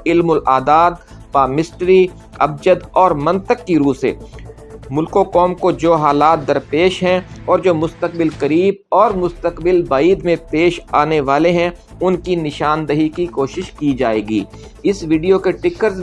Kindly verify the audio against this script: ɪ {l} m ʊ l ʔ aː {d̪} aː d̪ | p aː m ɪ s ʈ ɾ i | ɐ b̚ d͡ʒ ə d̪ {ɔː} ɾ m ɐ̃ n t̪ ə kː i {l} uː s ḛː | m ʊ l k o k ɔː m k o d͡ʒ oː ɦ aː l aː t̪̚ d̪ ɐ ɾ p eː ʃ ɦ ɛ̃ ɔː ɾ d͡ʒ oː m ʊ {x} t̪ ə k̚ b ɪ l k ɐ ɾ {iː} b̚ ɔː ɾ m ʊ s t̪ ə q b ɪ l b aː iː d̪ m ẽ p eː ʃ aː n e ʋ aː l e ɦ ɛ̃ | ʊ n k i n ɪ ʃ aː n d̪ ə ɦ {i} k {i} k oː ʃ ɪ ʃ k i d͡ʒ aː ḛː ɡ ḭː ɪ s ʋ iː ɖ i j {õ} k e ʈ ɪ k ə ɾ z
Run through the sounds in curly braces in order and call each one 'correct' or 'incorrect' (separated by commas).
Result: correct, correct, correct, incorrect, incorrect, correct, correct, correct, incorrect